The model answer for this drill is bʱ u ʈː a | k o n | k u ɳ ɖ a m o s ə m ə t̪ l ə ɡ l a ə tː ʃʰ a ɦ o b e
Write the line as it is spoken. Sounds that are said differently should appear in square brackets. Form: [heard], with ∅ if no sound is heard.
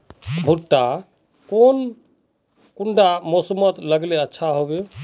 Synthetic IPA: bʱ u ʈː a | k o n | k u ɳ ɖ a m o s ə m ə t̪ l ə ɡ l [e] ə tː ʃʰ a ɦ o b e